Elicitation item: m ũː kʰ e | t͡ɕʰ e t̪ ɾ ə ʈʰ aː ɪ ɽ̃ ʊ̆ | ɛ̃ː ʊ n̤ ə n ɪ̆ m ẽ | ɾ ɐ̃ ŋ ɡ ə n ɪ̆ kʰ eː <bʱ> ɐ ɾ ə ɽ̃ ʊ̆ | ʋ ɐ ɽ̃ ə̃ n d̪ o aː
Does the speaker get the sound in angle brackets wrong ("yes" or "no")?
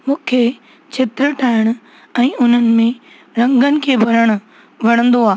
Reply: no